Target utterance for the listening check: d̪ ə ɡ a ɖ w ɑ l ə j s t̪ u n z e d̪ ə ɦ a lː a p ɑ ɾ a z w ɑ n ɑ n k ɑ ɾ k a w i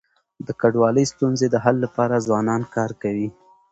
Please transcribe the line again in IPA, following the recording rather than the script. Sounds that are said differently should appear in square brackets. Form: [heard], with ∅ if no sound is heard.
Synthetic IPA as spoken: d̪ ə [k] a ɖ w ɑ l ə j s t̪ u n z e d̪ ə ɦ a lː a p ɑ ɾ a z w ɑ n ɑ n k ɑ ɾ k a w i